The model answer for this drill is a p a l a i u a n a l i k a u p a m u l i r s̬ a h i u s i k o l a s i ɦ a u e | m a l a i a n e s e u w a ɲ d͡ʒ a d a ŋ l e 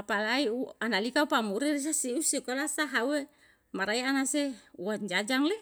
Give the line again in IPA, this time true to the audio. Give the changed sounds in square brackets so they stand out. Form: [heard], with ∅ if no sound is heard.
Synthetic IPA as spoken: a p a l a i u a n a l i k a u p a m u [ɾ] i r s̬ a [s] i u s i k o l a s [a] ɦ a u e | m a [ɾ] a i a n [a] s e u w a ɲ d͡ʒ a [d͡ʒ] a ŋ l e

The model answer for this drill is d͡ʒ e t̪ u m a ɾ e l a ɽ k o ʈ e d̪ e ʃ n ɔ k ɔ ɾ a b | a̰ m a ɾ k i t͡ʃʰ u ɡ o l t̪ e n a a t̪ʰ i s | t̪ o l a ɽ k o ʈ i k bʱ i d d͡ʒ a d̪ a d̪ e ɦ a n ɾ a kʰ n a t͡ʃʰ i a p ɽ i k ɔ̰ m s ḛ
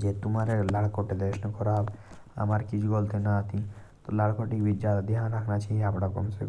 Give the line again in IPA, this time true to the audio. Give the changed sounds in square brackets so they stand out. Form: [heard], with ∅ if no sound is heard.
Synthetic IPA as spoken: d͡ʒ e t̪ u m a ɾ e l a ɽ k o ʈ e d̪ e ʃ n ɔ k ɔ ɾ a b | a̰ m a ɾ k i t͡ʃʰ u ɡ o l t̪ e n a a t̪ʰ i [∅] | t̪ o l a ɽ k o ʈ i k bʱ i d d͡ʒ a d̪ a d̪ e ɦ a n ɾ a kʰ n a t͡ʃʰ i a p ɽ [a] k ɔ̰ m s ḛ

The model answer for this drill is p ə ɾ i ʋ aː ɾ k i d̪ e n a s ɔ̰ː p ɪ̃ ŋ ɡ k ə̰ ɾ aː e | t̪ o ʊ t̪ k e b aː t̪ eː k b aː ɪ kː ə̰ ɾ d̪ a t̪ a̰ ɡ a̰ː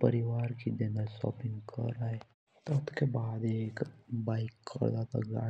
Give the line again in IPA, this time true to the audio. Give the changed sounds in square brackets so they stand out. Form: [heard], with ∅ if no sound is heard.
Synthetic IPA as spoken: p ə ɾ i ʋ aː ɾ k i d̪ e n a s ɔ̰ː p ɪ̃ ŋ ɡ k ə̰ ɾ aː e | t̪ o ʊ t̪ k e b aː [d̪] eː k b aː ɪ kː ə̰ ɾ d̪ a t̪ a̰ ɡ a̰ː

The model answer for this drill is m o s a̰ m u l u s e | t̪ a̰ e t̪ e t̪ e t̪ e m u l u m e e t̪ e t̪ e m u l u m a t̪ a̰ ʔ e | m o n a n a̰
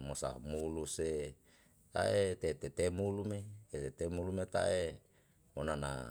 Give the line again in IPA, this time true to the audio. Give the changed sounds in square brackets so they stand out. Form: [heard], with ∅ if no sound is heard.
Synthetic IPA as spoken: m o s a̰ m u l u s e | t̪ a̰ e t̪ e t̪ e t̪ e m u l u m e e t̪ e t̪ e m u l u m [e] t̪ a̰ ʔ e | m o n a n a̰

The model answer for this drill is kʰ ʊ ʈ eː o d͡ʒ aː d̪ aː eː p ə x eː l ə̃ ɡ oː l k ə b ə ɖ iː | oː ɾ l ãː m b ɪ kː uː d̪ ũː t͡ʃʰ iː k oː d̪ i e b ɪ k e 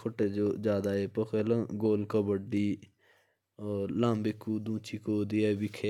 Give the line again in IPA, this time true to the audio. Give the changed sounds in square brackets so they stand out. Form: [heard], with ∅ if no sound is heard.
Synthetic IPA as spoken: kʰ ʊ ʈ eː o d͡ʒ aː d̪ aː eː p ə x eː l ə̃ ɡ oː l k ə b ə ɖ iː | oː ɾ l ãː m b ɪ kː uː d̪ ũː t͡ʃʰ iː k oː d̪ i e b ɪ [kʰ] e

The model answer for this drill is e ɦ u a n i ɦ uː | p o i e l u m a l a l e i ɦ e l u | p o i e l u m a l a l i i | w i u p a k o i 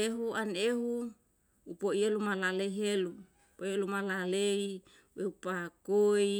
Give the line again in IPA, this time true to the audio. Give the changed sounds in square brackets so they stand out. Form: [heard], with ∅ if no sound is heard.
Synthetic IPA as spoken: e ɦ u a n [e] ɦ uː | p o i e l u m a l a l e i ɦ e l u | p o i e l u m a l a l [e] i | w [e] u p a k o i

